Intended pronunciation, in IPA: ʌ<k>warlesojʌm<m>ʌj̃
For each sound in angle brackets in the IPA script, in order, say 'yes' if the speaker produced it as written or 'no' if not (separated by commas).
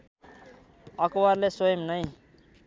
yes, no